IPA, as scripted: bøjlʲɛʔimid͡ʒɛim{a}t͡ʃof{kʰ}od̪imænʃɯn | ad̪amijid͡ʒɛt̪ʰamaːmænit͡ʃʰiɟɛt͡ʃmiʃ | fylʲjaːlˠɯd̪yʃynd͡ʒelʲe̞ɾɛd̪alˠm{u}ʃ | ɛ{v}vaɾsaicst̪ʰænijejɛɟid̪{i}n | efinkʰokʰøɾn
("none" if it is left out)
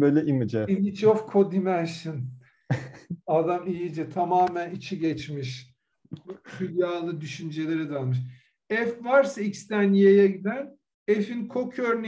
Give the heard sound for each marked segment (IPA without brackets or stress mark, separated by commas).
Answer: i, kʰ, ɯ, f, æ